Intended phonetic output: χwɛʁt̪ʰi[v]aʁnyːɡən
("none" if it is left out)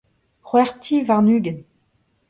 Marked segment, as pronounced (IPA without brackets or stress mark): v